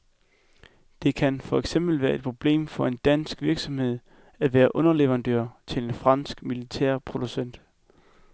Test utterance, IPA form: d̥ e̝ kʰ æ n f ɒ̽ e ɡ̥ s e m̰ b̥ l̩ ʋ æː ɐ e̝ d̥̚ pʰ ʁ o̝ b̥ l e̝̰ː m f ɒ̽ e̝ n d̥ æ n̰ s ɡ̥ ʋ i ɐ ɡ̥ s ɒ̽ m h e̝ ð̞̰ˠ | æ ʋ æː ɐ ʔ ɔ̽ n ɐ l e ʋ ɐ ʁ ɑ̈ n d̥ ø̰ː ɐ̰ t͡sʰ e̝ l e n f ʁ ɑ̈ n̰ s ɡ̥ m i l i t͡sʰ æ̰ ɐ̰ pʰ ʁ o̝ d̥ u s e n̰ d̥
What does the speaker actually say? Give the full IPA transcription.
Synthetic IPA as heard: d̥ e̝ kʰ æ n f ɒ̽ e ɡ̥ s e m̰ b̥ l̩ ʋ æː ɐ e̝ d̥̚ pʰ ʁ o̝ b̥ l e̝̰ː m f ɒ̽ e̝ n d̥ æ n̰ s ɡ̥ ʋ i ɐ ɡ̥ s ɒ̽ m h e̝ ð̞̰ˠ | æ ʋ æː ɐ ʔ ɔ̽ n ɐ l e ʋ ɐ ʁ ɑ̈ n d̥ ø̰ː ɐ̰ t͡sʰ e̝ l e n f ʁ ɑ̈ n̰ s ɡ̥ m i l i t͡sʰ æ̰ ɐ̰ pʰ ʁ o̝ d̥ u s e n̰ d̥